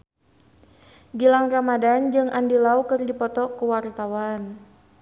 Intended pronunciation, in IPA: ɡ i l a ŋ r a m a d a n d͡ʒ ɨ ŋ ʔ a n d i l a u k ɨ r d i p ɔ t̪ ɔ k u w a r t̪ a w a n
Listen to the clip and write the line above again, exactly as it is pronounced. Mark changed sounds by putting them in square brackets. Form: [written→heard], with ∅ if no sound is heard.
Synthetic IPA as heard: ɡ i l a ŋ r a m a d a n d͡ʒ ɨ ŋ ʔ a n d i l a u k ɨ r d i p ɔ t̪ ɔ k u w a r t̪ a w a n